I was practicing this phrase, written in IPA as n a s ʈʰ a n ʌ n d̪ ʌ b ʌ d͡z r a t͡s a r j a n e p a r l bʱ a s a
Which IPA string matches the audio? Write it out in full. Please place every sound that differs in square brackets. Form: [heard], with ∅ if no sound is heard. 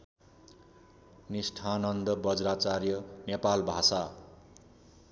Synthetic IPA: n [i] s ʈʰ a n ʌ n d̪ ʌ b ʌ d͡z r a t͡s a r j [ʌ] n e p a [∅] l bʱ a s a